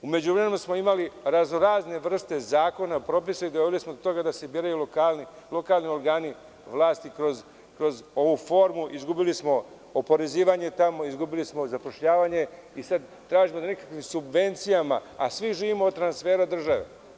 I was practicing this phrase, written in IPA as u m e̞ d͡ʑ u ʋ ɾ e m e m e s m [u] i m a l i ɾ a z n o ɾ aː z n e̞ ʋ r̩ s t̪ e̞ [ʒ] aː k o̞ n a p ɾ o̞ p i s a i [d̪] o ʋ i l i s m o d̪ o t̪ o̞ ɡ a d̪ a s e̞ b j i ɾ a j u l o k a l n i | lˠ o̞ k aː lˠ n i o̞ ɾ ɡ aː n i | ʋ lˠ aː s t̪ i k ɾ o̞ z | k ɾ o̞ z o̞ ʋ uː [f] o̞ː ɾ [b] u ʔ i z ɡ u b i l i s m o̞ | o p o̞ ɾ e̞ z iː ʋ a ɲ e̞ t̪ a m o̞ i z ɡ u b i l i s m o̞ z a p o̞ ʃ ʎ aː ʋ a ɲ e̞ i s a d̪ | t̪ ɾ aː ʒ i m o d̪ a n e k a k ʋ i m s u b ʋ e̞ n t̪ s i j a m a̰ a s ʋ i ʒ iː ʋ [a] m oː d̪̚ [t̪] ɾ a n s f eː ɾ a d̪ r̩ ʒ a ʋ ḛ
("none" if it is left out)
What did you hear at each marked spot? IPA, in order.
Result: o, z, d̪, f, m, i, t̪

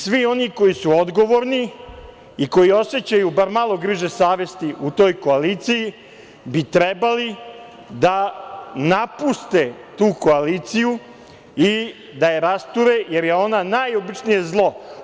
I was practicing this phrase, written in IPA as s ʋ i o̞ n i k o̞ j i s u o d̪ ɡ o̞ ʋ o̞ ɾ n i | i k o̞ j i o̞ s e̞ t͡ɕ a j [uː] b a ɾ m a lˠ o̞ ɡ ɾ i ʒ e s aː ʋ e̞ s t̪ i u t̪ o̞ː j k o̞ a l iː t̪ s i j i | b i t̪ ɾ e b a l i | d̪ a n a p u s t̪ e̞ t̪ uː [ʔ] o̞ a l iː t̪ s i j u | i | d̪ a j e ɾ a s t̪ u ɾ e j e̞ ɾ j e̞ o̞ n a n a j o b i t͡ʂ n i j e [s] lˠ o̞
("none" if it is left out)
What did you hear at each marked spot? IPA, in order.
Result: u, k, z

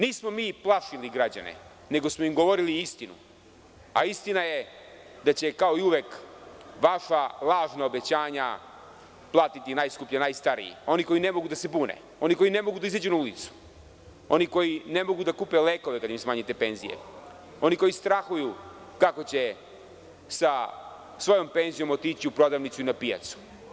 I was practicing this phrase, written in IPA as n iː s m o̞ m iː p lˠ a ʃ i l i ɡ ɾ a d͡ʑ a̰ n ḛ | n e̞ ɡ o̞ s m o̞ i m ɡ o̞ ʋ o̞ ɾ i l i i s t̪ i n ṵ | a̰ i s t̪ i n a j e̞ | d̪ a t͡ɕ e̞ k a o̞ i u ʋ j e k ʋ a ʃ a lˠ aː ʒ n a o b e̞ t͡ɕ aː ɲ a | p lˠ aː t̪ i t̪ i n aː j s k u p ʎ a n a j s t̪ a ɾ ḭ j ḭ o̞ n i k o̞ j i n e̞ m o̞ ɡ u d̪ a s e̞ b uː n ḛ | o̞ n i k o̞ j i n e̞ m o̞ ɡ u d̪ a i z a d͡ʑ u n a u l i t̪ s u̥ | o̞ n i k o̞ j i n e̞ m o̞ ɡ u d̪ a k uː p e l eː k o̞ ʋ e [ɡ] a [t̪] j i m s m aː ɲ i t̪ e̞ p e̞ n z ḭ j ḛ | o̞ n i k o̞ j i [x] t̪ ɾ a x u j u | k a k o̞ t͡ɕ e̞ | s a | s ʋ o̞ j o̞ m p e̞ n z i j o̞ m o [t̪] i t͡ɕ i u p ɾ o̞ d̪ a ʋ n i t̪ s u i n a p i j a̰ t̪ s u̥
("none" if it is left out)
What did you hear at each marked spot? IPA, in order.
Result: k, d̪, s, t̪

